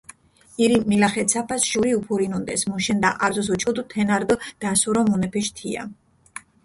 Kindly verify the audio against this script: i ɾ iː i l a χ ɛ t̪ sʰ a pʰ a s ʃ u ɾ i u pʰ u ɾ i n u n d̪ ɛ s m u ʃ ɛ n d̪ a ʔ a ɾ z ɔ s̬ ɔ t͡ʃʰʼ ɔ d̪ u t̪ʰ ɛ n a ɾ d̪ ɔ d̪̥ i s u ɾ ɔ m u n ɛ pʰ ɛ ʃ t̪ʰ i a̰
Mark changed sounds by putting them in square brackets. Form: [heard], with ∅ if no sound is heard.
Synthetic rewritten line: i ɾ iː i l a χ ɛ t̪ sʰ a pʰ a s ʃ u ɾ i u pʰ u ɾ i n u n d̪ ɛ s m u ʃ ɛ n d̪ a ʔ a ɾ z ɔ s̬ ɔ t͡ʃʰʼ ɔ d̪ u t̪ʰ ɛ n a ɾ d̪ ɔ d̪̥ [a] s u ɾ ɔ m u n ɛ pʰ ɛ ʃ t̪ʰ i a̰

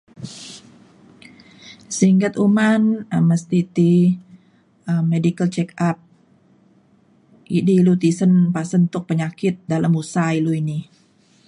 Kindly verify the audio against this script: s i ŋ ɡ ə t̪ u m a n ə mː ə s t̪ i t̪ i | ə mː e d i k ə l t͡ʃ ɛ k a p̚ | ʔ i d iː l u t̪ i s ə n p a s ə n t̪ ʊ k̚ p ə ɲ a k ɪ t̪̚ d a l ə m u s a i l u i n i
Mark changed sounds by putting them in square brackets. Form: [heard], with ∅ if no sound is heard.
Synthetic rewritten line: s i ŋ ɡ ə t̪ u m a n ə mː ə s t̪ i t̪ i | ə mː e d i k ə l t͡ʃ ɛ k a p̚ | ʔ i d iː l u t̪ i s ə n p a s ə n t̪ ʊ k̚ p ə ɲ a k ɪ t̪̚ d a l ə m u s a i l u i n i

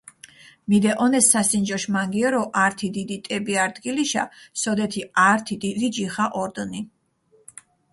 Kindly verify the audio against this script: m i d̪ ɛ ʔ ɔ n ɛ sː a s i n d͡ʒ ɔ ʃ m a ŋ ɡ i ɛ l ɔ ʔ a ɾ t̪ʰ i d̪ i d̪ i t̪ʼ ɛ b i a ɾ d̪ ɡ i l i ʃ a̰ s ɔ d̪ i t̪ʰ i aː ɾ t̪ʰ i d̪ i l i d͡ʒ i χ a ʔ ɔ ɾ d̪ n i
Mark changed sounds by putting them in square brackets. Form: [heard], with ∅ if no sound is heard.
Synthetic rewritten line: m i d̪ ɛ ʔ ɔ n ɛ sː a s i n d͡ʒ ɔ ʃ m a ŋ ɡ i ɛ [ɾ] ɔ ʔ a ɾ t̪ʰ i d̪ i d̪ i t̪ʼ ɛ b i a ɾ d̪ ɡ i l i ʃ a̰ s ɔ d̪ [ɛ] t̪ʰ i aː ɾ t̪ʰ i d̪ i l i d͡ʒ i χ a ʔ ɔ ɾ d̪ n i

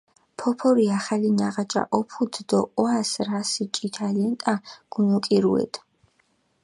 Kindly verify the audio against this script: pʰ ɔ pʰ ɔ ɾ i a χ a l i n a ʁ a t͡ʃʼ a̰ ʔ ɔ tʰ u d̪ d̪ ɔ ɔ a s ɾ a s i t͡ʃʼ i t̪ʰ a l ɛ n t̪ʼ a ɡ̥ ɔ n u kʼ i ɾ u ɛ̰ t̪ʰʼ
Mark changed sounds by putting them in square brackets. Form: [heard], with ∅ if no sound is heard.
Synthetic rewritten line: pʰ ɔ pʰ ɔ ɾ i a χ a l i n a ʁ a t͡ʃʼ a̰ ʔ ɔ [pʰ] u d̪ d̪ ɔ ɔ a s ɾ a s i t͡ʃʼ i t̪ʰ a l ɛ n t̪ʼ a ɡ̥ [u] n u kʼ i ɾ u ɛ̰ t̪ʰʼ

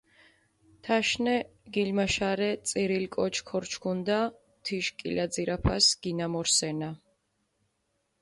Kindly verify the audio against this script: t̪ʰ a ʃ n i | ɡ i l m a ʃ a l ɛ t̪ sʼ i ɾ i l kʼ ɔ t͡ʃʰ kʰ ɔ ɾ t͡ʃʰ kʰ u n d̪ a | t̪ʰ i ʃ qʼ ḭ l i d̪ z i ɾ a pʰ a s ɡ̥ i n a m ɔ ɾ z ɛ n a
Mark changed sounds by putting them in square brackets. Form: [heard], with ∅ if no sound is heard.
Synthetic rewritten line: t̪ʰ a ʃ n [ɛ] | ɡ i l m a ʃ a [ɾ] ɛ t̪ sʼ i ɾ i l kʼ ɔ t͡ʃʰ kʰ ɔ ɾ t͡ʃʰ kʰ u n d̪ a | t̪ʰ i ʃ [kʼ] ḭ l [a] d̪ z i ɾ a pʰ a s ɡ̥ i n a m ɔ ɾ [s] ɛ n a

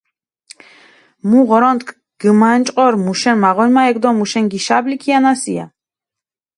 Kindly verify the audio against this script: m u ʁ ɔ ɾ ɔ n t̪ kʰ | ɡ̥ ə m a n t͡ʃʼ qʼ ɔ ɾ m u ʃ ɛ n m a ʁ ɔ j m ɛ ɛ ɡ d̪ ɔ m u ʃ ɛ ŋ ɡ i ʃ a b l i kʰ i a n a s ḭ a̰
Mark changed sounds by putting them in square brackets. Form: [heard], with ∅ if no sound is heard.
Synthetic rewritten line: m u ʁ ɔ ɾ ɔ n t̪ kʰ | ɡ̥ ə m a n t͡ʃʼ qʼ ɔ ɾ m u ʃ ɛ n m a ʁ ɔ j m [a] ɛ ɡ d̪ ɔ m u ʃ ɛ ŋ ɡ i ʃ a b l i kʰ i a n a s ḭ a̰

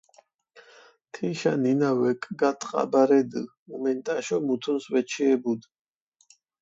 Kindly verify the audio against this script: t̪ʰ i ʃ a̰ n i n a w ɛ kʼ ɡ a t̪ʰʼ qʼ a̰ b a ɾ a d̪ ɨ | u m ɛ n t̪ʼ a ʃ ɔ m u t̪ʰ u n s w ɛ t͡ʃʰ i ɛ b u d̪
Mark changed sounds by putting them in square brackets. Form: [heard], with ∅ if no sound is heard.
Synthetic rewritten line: t̪ʰ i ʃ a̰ n i n a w ɛ kʼ ɡ a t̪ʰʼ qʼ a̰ b a ɾ [ɛ] d̪ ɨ | u m ɛ n t̪ʼ a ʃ ɔ m u t̪ʰ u n s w ɛ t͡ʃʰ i ɛ b u d̪

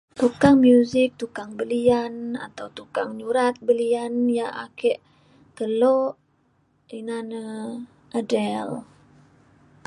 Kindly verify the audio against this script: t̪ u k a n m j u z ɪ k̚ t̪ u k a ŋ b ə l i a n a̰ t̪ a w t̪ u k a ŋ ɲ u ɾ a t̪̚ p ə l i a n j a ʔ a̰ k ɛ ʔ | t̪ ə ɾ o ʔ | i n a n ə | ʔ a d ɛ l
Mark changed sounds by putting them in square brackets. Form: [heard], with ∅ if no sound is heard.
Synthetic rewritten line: t̪ u k a [ŋ] m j u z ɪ k̚ t̪ u k a ŋ b ə l i a n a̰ t̪ a w t̪ u k a ŋ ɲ u ɾ a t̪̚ [b] ə l i a n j a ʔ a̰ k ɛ ʔ | t̪ ə [l] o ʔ | i n a n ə | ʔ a d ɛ l

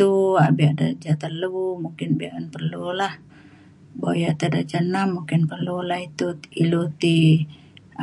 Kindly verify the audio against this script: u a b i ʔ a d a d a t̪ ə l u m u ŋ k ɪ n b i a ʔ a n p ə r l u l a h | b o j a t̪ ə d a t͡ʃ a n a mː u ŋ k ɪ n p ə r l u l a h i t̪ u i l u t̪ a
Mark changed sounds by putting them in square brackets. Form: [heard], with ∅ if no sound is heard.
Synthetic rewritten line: u a b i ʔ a d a [d͡ʒ] a t̪ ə l u m u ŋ k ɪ n b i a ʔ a n p ə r l u l a h | b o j a t̪ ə d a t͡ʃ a n a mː u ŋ k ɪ n p ə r l u l a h i t̪ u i l u t̪ [i]

